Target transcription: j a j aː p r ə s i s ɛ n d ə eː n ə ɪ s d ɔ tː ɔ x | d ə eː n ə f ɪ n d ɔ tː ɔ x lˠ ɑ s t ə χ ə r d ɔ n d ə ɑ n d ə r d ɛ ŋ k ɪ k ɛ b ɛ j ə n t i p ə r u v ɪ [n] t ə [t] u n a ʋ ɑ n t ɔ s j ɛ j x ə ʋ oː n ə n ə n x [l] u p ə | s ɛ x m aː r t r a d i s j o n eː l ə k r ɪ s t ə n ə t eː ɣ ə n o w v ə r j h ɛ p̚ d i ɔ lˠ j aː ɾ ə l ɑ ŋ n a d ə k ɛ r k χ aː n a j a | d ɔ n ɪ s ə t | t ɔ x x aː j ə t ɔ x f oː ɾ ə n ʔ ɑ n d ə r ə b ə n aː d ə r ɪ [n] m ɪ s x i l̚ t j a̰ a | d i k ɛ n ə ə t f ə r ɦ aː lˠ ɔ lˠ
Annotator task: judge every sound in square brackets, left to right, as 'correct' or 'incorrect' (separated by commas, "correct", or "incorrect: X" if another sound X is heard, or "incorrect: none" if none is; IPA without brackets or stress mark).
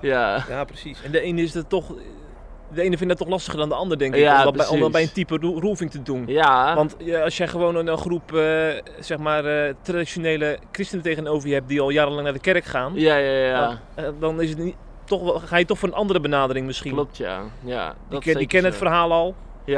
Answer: incorrect: ŋ, incorrect: d, incorrect: r, incorrect: ŋ